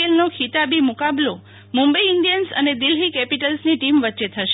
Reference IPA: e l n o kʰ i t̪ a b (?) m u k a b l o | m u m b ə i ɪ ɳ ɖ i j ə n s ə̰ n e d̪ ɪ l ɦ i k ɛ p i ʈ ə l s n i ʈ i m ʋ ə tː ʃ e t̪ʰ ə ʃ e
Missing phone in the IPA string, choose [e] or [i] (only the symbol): i